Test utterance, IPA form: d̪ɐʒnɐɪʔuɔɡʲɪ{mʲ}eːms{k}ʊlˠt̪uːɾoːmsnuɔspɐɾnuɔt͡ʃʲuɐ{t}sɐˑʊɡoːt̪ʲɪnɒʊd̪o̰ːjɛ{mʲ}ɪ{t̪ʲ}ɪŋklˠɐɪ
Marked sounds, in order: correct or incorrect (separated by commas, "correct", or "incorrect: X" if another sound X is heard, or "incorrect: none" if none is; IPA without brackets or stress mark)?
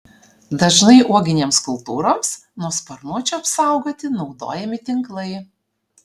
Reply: incorrect: nʲ, correct, incorrect: p, correct, correct